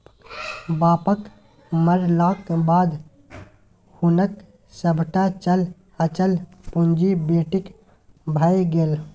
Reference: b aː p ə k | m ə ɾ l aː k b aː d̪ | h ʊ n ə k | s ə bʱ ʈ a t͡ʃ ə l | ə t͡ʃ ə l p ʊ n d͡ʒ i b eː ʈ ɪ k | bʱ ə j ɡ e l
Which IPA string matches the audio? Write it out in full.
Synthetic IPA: b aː p ə k | m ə ɾ l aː k b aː d̪ | h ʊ n ə k | s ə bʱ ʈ a t͡ʃ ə l | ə t͡ʃ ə l p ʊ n d͡ʒ i b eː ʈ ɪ k | bʱ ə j ɡ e l